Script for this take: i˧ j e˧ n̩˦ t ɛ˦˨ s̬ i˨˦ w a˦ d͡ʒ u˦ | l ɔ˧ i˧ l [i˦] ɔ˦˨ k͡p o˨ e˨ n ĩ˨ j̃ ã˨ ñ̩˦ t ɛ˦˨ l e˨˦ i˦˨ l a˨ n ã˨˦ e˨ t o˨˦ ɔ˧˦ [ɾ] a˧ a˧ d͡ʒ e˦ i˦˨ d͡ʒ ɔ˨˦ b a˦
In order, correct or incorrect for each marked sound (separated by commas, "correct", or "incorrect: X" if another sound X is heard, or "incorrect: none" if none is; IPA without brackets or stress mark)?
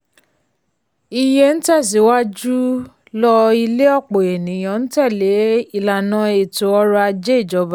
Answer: incorrect: e˦, correct